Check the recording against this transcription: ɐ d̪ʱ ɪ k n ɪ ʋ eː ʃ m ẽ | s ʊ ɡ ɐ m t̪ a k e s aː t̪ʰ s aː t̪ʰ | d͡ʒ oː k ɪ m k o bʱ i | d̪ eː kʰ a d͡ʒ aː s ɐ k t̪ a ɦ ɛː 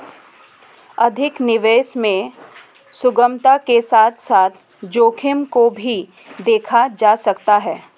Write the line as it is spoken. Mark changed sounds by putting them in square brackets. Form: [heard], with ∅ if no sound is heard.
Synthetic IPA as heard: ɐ d̪ʱ ɪ k n ɪ ʋ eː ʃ m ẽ | s ʊ ɡ [ə] m t̪ a k e s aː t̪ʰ s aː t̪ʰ | d͡ʒ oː [kʰ] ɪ m k o bʱ i | d̪ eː kʰ a d͡ʒ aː s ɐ k t̪ a ɦ ɛː